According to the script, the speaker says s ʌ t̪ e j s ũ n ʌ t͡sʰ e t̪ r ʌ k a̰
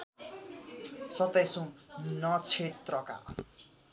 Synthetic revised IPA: s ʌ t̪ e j s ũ n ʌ t͡sʰ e t̪ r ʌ k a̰